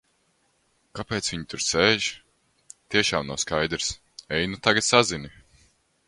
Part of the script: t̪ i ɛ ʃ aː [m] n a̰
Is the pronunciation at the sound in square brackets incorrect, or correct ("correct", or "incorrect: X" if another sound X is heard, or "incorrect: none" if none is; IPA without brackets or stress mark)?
correct